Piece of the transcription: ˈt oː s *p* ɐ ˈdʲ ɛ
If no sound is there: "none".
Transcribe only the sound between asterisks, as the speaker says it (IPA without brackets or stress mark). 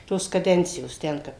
k